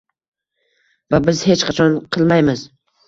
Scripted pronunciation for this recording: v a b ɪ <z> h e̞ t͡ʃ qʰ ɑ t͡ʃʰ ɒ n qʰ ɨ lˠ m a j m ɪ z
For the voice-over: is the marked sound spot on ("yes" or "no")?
yes